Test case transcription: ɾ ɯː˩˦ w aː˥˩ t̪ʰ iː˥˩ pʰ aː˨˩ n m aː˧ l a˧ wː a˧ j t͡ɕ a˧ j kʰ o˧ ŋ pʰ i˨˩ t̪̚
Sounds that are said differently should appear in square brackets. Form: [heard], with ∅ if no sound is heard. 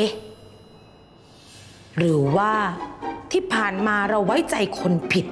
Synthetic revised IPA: ɾ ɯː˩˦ w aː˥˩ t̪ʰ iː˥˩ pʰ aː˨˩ n m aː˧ [ɾ] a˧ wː [a˦˥] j t͡ɕ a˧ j kʰ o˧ [n] pʰ i˨˩ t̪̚

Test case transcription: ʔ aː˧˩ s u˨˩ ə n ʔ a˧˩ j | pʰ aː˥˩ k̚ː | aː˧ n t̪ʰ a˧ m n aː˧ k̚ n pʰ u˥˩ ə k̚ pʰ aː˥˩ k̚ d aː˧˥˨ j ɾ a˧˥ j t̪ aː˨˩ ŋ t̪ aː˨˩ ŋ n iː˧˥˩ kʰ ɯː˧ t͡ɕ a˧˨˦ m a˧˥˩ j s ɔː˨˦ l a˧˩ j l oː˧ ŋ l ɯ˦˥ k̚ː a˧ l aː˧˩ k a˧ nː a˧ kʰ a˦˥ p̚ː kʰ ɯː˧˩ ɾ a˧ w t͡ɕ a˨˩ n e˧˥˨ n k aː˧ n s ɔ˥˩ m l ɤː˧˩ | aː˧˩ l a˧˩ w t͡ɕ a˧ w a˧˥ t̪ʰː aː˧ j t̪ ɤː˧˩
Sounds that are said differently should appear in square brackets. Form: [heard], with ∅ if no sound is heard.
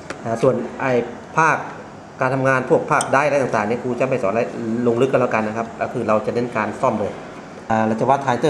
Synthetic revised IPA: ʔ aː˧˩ s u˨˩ ə n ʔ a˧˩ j | pʰ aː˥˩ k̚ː | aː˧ n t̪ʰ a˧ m [ŋ] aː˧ [∅] n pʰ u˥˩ ə k̚ pʰ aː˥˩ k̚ d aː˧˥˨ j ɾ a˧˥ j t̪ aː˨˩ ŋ t̪ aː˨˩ ŋ n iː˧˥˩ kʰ [uː˧] t͡ɕ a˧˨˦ m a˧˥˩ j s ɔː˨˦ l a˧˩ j l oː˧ ŋ l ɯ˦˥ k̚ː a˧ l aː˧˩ k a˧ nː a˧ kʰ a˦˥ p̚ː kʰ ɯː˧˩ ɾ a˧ w t͡ɕ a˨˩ n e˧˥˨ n k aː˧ n s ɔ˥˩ m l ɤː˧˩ | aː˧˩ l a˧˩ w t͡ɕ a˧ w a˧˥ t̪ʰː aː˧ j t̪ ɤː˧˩

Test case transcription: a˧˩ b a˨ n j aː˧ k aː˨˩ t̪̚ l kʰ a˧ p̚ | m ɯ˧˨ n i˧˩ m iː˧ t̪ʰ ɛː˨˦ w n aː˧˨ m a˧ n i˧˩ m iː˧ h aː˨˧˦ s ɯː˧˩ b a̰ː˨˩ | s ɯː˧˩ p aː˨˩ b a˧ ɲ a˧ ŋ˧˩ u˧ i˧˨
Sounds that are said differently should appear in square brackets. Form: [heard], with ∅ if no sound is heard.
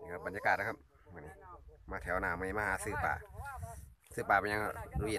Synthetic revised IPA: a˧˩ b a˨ n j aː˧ k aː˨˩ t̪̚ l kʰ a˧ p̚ | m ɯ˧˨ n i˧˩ m [aː˧] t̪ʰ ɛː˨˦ w n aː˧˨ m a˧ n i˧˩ m [aː˧] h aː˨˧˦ s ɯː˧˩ [p] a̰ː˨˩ | s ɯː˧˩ p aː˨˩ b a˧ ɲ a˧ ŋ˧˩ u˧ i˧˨

